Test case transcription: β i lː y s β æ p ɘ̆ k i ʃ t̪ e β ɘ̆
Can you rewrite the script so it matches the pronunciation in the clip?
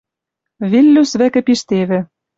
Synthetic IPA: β i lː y s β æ k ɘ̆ p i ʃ t̪ e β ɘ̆